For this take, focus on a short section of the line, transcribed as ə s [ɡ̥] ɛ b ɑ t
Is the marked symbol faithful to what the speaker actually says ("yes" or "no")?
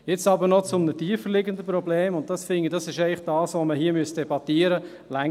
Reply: no